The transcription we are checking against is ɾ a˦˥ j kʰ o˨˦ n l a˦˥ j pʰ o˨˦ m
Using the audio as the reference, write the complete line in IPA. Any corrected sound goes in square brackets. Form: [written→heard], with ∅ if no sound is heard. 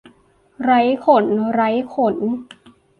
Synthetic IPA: ɾ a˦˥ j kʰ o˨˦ n [l→ɾ] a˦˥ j [pʰ→kʰ] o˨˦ [m→n]